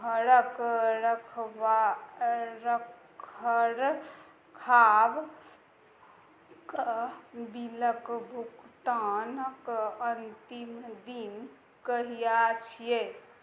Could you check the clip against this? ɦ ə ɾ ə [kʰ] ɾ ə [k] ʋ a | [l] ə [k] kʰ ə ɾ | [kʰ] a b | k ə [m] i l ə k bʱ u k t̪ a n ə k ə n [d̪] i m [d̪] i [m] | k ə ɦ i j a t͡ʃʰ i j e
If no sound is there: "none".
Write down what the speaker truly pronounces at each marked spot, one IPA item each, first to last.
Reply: k, kʰ, ɾ, k, kʰ, b, t̪, d̪, n

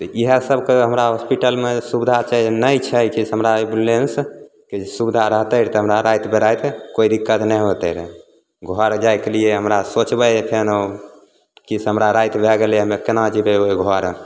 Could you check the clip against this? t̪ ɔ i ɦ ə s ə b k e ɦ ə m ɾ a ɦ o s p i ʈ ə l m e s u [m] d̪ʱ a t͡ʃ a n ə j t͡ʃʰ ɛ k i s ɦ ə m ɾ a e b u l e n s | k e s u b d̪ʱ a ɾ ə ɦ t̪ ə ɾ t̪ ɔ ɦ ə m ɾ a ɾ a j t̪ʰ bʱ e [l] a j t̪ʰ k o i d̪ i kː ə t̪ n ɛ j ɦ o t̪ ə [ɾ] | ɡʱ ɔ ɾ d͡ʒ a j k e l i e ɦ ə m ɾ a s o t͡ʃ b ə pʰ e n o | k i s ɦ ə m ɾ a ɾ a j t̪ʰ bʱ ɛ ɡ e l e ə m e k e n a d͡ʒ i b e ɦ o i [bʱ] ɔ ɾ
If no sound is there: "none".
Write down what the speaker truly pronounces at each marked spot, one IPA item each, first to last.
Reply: b, ɾ, ɾ, ɡʱ

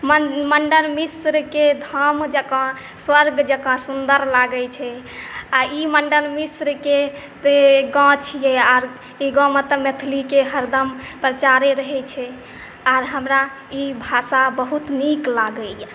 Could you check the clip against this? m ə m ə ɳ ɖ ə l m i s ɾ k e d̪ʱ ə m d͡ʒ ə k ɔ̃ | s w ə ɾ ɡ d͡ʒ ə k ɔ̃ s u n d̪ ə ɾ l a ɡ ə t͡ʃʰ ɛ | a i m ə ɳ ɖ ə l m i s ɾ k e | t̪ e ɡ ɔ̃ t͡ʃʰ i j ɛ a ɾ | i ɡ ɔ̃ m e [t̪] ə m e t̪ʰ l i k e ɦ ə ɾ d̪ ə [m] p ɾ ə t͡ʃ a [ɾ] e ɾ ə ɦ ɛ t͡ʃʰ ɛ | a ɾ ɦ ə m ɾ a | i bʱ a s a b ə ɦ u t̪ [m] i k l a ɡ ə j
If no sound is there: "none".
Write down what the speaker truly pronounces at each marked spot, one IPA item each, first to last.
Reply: t̪, m, ɾ, n

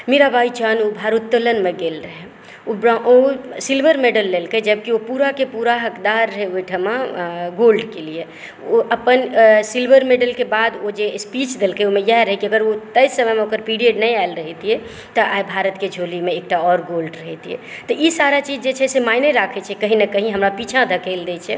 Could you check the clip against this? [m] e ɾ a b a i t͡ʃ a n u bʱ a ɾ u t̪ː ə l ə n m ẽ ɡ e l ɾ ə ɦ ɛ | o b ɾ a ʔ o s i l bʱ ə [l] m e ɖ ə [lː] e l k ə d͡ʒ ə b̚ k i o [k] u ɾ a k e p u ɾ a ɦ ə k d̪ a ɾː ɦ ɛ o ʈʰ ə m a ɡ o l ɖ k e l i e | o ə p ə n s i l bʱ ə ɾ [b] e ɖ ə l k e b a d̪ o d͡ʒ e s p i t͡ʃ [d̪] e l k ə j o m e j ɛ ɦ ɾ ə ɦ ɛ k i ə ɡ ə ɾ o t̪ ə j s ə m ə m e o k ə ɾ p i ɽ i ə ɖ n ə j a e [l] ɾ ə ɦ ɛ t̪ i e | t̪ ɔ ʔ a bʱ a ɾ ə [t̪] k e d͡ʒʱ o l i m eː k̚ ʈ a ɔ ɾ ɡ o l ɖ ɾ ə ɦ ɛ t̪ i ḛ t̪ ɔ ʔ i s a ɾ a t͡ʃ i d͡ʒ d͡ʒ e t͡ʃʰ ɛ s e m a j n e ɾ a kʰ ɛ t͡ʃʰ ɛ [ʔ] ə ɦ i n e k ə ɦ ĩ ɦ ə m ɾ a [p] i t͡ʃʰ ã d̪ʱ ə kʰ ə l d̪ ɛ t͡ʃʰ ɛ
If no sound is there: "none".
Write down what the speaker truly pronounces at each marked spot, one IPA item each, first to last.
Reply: m, ɾ, lː, p, m, d̪, l, t̪, k, p

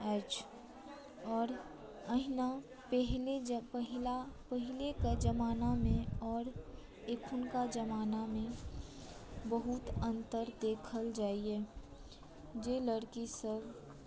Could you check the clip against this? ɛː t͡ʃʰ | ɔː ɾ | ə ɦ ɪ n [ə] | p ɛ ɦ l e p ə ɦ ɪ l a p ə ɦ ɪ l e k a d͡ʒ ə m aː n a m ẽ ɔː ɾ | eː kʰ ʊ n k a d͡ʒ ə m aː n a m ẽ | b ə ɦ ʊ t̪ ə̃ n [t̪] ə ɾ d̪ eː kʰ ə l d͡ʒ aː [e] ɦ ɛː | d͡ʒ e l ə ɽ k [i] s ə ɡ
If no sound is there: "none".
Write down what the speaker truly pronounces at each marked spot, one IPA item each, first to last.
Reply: a, t̪, i, i

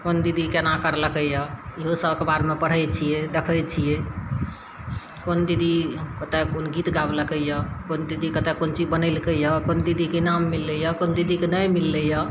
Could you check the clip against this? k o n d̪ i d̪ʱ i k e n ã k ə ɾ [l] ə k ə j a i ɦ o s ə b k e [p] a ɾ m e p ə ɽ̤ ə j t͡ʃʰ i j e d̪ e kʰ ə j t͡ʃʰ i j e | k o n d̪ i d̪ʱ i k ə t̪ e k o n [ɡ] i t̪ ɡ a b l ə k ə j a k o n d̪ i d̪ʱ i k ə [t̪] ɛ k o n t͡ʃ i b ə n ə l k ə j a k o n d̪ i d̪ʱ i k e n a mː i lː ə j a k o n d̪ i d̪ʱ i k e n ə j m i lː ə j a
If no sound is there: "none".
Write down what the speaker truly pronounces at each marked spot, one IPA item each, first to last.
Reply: l, b, ɡ, t̪

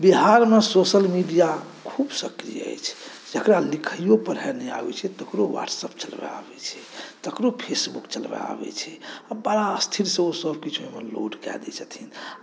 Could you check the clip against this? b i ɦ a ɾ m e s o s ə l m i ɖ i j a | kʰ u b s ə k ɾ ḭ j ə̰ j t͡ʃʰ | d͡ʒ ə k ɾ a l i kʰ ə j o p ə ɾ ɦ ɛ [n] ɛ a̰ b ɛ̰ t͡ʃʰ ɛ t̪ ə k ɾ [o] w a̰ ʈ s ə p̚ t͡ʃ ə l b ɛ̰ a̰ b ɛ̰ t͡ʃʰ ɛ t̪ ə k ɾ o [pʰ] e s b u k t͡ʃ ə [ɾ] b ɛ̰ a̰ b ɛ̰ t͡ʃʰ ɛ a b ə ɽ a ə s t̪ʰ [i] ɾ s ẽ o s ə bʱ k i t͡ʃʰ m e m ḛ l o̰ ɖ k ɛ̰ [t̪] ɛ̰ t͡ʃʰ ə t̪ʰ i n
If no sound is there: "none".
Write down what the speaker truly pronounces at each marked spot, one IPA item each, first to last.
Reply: n, o, pʰ, l, i, d̪

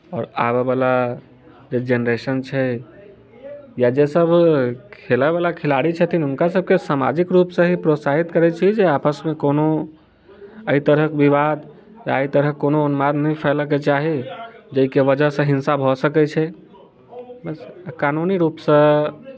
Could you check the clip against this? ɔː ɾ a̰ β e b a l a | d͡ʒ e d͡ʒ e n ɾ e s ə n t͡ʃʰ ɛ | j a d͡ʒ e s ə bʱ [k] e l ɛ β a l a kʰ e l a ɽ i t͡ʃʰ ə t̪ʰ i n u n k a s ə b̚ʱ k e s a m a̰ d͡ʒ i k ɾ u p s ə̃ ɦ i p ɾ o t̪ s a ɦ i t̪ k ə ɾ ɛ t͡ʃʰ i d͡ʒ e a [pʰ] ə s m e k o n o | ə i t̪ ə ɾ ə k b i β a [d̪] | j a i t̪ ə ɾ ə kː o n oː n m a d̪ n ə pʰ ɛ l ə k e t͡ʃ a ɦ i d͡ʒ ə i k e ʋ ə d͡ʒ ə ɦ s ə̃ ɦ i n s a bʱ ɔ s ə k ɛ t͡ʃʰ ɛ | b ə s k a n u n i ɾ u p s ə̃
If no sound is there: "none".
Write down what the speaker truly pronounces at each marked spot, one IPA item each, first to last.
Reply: kʰ, p, d̪

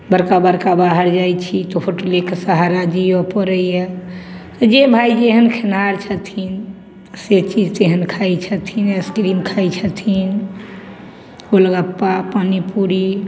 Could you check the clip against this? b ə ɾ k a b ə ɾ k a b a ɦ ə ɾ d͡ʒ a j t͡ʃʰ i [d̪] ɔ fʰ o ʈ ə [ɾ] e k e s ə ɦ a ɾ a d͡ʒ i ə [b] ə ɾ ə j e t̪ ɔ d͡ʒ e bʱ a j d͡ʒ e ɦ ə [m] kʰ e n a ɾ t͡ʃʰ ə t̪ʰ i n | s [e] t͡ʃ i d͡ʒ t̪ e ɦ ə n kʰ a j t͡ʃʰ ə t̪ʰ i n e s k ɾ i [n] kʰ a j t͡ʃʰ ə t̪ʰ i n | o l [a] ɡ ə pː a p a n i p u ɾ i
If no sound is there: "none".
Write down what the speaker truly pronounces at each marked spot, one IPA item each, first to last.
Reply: t̪, l, p, n, e, m, ə

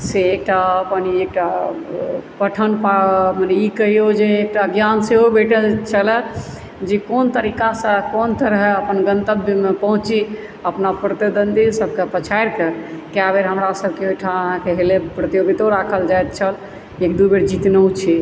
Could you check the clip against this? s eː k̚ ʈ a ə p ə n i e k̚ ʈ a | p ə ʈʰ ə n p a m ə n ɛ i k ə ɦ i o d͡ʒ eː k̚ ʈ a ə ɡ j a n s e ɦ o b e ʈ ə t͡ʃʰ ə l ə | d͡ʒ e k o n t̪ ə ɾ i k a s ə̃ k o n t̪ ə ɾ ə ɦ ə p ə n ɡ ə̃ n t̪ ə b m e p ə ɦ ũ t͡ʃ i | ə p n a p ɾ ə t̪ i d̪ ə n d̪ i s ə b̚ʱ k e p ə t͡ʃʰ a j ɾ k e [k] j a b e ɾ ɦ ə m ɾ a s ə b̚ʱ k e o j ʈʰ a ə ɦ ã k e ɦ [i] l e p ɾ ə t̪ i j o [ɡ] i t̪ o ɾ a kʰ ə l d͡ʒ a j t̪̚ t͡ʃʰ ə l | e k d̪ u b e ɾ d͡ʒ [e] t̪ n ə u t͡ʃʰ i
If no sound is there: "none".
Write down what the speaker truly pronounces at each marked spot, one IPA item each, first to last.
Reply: k, e, ɡ, i

